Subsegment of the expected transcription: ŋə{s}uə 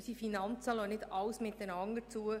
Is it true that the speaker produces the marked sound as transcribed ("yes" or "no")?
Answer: no